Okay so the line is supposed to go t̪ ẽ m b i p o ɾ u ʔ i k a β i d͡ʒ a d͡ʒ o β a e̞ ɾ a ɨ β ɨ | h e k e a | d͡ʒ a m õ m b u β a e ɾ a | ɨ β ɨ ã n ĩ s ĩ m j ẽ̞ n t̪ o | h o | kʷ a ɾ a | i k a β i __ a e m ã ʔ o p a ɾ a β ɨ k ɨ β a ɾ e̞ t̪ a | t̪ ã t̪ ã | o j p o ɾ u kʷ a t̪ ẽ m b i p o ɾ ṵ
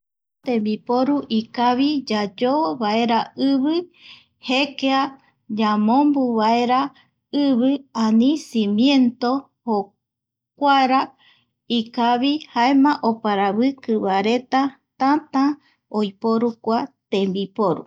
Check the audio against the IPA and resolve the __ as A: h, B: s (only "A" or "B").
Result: A